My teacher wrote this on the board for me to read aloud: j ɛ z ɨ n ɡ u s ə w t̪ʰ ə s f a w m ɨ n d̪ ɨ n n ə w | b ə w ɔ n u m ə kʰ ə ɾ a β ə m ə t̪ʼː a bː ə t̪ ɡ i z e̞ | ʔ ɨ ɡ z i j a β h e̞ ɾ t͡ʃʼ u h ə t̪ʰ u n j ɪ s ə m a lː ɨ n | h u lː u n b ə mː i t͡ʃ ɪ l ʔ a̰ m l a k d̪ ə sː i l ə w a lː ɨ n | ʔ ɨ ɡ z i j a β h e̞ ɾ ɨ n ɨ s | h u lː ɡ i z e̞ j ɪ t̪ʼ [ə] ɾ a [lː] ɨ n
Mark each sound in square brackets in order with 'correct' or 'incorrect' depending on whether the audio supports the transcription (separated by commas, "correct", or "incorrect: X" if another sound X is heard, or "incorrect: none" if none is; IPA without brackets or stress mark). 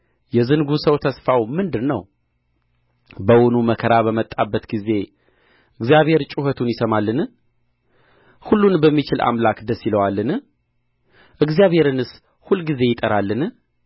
correct, correct